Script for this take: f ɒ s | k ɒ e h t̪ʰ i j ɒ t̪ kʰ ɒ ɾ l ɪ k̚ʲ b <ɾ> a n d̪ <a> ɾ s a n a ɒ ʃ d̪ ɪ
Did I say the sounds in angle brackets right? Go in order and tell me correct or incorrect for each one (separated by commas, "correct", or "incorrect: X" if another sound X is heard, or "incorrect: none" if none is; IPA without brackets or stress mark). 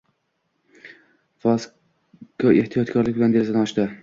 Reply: incorrect: l, incorrect: e